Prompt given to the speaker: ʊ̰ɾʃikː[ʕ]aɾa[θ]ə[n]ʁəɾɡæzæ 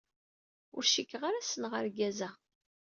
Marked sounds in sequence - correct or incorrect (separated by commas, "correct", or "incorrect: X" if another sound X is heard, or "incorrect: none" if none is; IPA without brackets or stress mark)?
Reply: incorrect: ʁ, incorrect: s, correct